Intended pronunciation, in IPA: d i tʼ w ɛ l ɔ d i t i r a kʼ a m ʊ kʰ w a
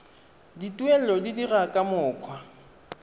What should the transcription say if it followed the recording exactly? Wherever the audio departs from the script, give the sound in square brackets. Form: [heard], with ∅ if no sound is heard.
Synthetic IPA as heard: d i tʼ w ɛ l ɔ d i [d] i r a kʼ a m [ʊː] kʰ w a